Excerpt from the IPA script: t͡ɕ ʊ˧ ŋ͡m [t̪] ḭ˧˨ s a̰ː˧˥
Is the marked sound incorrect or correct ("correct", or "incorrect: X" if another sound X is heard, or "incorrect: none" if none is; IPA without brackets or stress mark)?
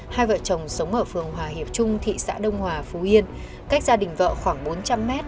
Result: incorrect: t̪ʰ